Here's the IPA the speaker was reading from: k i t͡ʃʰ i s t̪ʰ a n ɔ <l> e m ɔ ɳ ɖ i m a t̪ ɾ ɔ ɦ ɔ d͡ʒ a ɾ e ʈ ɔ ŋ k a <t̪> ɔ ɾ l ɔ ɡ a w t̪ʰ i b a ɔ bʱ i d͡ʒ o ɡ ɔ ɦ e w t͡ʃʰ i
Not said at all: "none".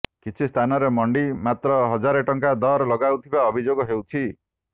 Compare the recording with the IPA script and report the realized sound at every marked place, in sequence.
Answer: ɾ, d̪

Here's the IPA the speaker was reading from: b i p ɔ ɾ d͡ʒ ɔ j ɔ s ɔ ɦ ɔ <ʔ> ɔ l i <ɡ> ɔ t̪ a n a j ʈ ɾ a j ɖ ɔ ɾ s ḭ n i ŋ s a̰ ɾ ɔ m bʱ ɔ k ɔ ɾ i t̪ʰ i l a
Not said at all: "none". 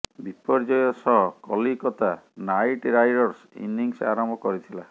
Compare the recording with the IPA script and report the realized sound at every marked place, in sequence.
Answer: k, k

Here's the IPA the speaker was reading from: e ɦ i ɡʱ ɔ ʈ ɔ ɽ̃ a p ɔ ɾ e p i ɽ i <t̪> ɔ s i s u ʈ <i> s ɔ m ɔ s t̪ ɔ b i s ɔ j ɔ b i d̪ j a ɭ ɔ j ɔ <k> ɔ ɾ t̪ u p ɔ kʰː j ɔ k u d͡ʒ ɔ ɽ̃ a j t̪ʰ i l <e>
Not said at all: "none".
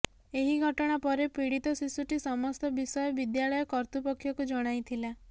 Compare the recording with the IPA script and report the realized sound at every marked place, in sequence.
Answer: t̪, i, k, a

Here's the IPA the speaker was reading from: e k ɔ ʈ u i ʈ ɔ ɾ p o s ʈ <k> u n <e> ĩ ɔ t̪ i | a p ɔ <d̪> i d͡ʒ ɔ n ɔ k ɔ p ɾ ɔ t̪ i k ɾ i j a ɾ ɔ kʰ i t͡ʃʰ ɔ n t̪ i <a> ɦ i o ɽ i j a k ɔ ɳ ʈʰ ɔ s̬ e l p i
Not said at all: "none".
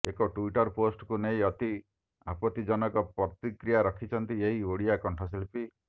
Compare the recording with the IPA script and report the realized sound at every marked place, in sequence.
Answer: k, e, t̪, e

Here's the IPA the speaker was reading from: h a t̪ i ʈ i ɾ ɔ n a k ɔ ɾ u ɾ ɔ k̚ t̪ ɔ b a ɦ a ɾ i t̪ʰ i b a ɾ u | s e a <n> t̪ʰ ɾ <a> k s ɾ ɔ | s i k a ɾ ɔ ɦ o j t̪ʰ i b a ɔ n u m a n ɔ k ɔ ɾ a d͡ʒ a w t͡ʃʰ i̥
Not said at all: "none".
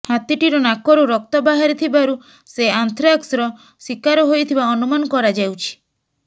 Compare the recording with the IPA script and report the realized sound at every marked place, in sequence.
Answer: n, a

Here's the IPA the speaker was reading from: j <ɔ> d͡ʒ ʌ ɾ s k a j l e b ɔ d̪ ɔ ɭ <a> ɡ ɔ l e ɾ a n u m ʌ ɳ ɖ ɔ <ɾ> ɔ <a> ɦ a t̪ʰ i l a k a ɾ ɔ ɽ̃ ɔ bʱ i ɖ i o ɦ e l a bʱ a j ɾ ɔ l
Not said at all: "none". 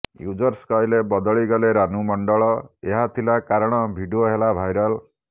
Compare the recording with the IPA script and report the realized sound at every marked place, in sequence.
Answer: u, i, ɭ, e

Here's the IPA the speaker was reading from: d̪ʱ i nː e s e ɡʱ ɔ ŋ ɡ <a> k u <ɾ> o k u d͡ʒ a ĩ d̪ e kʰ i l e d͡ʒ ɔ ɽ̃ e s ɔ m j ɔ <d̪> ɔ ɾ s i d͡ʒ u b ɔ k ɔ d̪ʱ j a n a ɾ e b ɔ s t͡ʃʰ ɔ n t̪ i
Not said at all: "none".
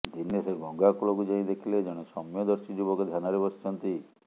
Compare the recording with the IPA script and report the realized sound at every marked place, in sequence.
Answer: a, l, d̪

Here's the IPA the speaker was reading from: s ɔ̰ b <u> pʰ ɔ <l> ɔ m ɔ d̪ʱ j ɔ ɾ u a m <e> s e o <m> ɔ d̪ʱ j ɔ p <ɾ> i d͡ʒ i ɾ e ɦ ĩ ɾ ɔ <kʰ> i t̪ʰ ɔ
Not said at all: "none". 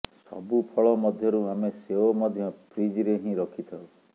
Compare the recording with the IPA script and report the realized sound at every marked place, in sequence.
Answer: u, ɭ, e, m, ɾ, kʰ

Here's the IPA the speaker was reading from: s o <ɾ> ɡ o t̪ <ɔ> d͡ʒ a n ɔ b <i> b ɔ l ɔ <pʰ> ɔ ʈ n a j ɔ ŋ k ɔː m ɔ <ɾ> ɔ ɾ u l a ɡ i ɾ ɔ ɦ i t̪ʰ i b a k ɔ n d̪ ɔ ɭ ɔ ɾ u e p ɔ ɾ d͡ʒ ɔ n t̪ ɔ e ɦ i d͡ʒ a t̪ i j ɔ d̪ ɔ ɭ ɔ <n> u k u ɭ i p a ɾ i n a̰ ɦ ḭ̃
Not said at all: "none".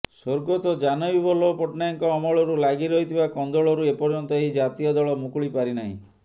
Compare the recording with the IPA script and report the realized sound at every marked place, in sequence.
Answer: ɾ, ɔ, i, p, ɭ, m

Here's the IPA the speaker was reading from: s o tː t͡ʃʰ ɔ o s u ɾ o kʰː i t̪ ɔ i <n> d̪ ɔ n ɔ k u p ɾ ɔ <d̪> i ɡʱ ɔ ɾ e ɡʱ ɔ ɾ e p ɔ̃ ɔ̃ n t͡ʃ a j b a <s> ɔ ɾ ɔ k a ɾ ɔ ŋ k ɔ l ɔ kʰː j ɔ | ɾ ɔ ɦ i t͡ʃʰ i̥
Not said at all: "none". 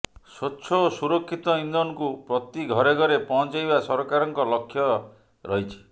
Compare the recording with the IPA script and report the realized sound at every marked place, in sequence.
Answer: n, t̪, s

